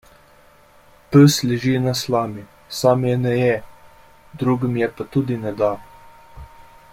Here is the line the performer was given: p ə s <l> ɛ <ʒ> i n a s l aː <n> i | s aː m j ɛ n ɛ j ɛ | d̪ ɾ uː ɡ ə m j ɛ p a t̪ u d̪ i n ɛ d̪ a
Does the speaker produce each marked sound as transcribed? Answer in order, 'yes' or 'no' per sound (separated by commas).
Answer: yes, yes, no